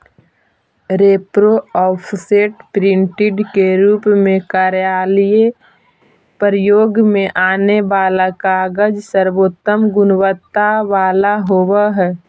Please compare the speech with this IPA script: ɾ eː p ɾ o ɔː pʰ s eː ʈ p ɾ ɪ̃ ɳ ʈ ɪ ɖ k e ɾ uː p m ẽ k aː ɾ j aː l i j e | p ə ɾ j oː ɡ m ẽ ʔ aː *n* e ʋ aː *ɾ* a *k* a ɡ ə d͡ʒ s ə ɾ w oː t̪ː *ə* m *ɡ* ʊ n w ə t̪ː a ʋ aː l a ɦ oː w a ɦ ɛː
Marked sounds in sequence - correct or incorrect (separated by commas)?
correct, incorrect, correct, correct, correct